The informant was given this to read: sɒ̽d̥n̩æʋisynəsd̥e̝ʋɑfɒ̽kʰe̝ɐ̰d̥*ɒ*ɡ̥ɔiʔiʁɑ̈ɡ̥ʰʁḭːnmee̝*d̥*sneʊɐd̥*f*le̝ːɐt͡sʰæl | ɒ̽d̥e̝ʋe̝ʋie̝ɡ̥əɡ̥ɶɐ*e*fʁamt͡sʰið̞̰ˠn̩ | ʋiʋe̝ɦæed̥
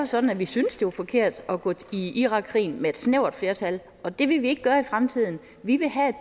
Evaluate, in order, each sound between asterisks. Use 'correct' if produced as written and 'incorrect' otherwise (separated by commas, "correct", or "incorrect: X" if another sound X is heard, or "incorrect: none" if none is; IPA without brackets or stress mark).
correct, correct, correct, incorrect: i